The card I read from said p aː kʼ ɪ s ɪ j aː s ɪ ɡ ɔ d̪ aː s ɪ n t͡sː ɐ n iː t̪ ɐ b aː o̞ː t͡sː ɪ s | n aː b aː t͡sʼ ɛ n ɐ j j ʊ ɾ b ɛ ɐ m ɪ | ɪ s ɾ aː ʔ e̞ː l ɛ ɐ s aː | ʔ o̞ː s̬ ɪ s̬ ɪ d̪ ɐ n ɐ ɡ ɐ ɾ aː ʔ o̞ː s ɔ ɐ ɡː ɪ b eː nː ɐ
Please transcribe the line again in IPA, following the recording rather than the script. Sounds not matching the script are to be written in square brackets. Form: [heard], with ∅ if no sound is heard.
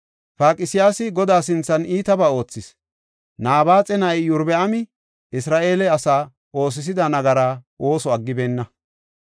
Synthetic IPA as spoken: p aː kʼ ɪ s ɪ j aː s ɪ ɡ ɔ d̪ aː s ɪ n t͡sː ɐ n iː t̪ ɐ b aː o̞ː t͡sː ɪ s | n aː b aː t͡sʼ ɛ n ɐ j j ʊ ɾ b ɛ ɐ m ɪ | ɪ s ɾ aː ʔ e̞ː l ɛ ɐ s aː | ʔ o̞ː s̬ ɪ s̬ ɪ d̪ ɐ n ɐ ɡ ɐ ɾ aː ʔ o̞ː s ɔ ɐ ɡː ɪ b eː nː ɐ